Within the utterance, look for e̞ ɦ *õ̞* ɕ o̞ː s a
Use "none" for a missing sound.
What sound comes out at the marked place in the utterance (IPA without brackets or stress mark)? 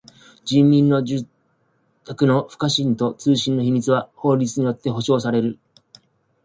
o̞